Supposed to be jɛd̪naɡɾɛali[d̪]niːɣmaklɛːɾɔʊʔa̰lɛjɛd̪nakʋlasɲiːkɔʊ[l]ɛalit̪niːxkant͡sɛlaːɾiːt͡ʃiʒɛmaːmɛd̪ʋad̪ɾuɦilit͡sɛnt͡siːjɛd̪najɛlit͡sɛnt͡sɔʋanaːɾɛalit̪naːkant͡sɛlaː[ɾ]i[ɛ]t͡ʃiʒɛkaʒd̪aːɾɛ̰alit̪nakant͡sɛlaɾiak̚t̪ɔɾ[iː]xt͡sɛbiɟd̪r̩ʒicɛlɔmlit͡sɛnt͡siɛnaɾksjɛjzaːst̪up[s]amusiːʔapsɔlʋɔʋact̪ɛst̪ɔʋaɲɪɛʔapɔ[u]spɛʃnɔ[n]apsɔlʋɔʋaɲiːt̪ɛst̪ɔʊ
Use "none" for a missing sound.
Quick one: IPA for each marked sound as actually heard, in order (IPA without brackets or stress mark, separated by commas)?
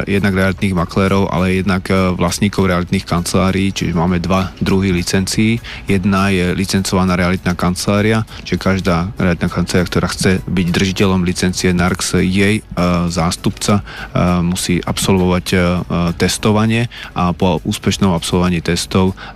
t̪, ɾ, ɾ, a, aː, t͡s, uː, m